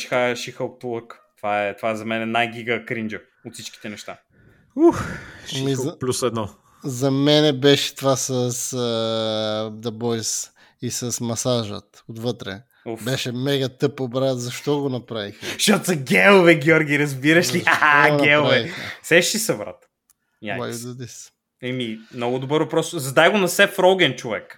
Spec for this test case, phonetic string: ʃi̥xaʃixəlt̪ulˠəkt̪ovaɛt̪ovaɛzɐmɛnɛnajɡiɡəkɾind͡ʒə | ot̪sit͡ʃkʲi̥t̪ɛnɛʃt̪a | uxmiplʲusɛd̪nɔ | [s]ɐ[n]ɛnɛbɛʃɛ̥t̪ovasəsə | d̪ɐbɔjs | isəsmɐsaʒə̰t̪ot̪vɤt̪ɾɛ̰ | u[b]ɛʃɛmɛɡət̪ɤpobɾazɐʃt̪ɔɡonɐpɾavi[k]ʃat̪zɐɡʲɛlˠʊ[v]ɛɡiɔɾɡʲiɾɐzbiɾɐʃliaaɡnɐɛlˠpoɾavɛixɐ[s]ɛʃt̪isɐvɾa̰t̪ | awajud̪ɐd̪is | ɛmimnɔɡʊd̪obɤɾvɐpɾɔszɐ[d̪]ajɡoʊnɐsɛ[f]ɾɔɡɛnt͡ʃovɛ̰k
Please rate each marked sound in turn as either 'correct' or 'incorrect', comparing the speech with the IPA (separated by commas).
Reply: incorrect, incorrect, correct, incorrect, correct, correct, correct, correct